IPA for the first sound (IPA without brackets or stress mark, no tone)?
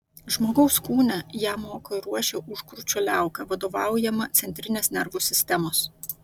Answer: ʒ